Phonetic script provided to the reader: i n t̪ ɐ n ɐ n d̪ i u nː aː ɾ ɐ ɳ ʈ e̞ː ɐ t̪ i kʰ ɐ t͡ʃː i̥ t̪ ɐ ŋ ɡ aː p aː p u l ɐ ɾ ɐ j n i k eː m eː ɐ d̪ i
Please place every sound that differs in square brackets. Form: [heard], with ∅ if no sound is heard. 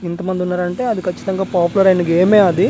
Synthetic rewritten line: i n t̪ ɐ [m] ɐ n d̪ i u nː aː ɾ ɐ ɳ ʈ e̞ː ɐ [d̪] i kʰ ɐ t͡ʃː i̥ t̪ ɐ ŋ ɡ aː p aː p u l ɐ ɾ ɐ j n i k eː m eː ɐ d̪ i

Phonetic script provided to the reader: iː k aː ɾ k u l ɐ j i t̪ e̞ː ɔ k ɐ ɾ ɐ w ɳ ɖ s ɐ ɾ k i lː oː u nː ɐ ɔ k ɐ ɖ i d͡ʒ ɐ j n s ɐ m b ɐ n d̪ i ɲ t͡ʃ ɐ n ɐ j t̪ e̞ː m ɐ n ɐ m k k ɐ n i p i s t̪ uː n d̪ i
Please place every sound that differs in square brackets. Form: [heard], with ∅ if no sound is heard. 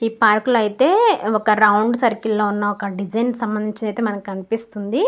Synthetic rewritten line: iː [p] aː ɾ k u l ɐ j i t̪ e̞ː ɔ k ɐ ɾ ɐ w ɳ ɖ s ɐ ɾ k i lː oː u nː ɐ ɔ k ɐ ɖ i d͡ʒ ɐ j n s ɐ m b ɐ n d̪ i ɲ t͡ʃ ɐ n ɐ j t̪ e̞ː m ɐ n ɐ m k k ɐ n i p i s t̪ [u] n d̪ i

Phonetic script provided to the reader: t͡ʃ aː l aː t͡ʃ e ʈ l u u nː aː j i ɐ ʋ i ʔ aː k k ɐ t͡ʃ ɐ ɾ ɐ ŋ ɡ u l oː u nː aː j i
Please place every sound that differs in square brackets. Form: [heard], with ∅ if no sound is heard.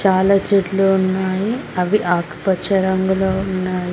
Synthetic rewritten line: t͡ʃ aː l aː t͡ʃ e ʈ l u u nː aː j i ɐ ʋ i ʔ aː k [p] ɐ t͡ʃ ɐ ɾ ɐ ŋ ɡ u l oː u nː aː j i

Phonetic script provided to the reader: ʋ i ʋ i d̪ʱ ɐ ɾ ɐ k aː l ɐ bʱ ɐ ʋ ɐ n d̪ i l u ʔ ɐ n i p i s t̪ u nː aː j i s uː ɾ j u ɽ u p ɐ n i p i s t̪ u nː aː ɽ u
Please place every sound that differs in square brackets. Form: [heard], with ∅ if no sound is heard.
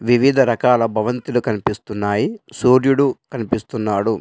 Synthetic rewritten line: ʋ i ʋ i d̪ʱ ɐ ɾ ɐ k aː l ɐ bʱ ɐ ʋ ɐ n [t̪] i l u [k] ɐ n i p i s t̪ u nː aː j i s uː ɾ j u ɽ u [k] ɐ n i p i s t̪ u nː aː ɽ u

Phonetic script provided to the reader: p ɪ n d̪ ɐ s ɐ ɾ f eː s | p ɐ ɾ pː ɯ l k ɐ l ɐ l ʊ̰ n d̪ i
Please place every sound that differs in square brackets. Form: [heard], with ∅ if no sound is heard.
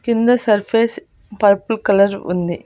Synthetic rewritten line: [k] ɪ n d̪ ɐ s ɐ ɾ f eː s | p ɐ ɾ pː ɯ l k ɐ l ɐ [ɾ] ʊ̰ n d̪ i

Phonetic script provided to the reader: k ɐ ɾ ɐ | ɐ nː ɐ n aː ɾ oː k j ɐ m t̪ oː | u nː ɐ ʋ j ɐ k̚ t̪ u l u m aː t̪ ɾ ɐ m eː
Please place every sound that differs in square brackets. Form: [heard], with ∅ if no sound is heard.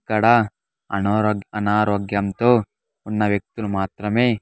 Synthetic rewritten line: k ɐ [ɽ] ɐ | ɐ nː ɐ n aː ɾ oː [ɡ] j ɐ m t̪ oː | u nː ɐ ʋ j ɐ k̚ t̪ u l u m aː t̪ ɾ ɐ m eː

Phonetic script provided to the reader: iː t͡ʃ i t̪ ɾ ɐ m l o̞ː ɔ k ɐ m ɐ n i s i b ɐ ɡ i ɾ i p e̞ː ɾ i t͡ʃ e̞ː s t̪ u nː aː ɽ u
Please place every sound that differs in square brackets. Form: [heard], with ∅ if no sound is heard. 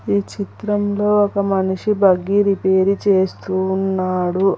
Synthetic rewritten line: iː t͡ʃ i t̪ ɾ ɐ m l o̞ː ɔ k ɐ m ɐ n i [ʂ] i b ɐ ɡ i ɾ i p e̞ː ɾ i t͡ʃ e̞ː s t̪ u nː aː ɽ u

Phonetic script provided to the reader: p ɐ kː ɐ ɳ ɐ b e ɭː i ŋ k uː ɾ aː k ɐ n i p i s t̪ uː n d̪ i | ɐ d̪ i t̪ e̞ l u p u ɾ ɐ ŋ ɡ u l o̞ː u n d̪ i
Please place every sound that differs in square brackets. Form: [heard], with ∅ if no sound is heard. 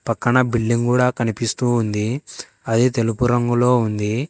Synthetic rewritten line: p ɐ kː ɐ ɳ ɐ b [i] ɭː i ŋ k uː [ɽ] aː k ɐ n i p i s t̪ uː n d̪ i | ɐ d̪ i t̪ e̞ l u p u ɾ ɐ ŋ ɡ u l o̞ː u n d̪ i

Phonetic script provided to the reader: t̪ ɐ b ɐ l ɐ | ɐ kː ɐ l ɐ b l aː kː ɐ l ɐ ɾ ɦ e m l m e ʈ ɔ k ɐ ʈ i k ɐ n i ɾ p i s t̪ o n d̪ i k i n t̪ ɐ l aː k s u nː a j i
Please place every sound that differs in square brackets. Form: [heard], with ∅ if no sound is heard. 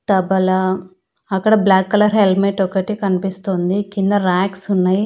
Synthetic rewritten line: t̪ ɐ b ɐ l ɐ | ɐ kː ɐ [ɽ] ɐ b l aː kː ɐ l ɐ ɾ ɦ e [∅] l m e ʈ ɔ k ɐ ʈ i k ɐ n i [∅] p i s t̪ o n d̪ i k i n [d̪] ɐ [ɾ] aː k s u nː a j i

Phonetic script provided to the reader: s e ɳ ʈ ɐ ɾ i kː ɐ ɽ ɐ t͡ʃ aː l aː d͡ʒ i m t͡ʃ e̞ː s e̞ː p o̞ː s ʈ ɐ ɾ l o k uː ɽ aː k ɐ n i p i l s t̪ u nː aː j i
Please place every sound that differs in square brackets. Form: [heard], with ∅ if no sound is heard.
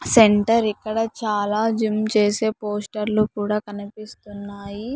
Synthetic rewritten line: s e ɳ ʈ ɐ ɾ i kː ɐ ɽ ɐ t͡ʃ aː l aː d͡ʒ i m t͡ʃ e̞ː s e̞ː p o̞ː s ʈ ɐ ɾ l [u] k uː ɽ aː k ɐ n i p i [∅] s t̪ u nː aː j i

